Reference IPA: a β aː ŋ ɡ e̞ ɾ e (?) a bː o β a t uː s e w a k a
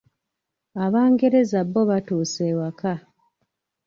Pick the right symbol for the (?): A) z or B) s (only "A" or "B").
A